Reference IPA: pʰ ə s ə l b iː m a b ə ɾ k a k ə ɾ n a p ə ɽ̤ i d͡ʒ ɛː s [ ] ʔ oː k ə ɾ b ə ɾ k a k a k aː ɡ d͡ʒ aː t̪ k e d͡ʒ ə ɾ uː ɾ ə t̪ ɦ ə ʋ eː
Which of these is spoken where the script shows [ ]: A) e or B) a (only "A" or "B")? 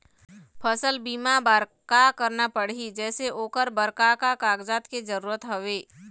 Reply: A